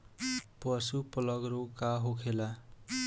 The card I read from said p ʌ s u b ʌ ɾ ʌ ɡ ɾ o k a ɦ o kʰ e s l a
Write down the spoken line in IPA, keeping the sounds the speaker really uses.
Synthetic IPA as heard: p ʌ s u p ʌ l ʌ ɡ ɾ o k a ɦ o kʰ e l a